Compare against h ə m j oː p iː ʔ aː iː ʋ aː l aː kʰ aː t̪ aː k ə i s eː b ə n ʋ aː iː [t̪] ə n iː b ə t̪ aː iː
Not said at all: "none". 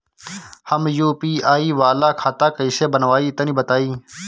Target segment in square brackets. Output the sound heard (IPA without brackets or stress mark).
t̪